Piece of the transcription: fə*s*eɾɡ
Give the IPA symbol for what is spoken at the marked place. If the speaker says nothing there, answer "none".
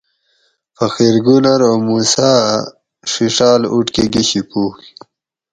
x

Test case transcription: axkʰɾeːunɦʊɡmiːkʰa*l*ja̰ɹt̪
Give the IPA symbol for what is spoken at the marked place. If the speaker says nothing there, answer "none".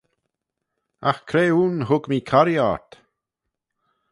ɾ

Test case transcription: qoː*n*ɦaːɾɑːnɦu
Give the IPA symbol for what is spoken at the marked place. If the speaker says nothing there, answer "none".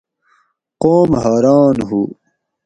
m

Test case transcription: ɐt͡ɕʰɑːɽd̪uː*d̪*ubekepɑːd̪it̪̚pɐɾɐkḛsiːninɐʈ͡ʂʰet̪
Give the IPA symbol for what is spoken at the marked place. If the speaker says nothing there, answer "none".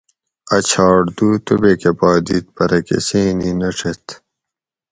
t̪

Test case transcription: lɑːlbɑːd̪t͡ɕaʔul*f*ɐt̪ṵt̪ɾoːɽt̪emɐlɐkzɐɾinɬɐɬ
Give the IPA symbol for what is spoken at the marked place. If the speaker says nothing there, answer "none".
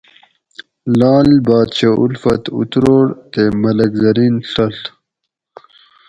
f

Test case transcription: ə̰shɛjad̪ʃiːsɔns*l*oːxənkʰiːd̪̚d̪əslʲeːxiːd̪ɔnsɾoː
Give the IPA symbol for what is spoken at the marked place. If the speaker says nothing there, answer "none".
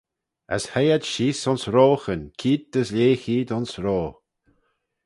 ɾ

